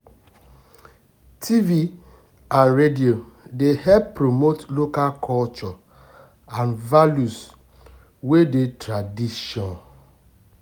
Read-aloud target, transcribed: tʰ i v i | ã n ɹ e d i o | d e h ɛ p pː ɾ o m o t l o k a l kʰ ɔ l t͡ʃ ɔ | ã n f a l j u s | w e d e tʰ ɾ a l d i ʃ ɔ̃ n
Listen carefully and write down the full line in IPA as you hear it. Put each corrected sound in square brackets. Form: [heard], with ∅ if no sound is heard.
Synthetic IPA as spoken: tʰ i v i | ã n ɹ e d i o | d e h ɛ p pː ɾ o m o t l o k a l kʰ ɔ l t͡ʃ ɔ | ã n [v] a l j u s | w e d e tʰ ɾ a [∅] d i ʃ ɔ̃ n